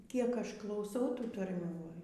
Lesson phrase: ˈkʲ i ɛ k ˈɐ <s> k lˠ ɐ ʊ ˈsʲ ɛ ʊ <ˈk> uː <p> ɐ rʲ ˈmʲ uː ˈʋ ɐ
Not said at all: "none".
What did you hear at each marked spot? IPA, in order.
ʃ, t, t

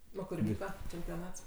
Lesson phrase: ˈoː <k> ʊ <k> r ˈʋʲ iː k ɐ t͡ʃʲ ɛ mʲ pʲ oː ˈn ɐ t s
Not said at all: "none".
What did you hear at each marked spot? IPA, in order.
k, none

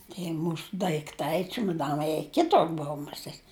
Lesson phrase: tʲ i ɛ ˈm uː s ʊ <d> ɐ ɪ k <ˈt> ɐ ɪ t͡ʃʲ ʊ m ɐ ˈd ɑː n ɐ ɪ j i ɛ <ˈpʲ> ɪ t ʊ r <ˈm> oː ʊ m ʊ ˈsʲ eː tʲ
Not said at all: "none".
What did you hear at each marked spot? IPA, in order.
d, t, kʲ, b

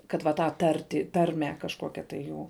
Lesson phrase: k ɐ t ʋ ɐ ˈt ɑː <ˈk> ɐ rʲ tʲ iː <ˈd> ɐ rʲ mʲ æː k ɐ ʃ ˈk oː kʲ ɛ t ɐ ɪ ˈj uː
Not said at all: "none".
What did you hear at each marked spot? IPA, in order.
t, t

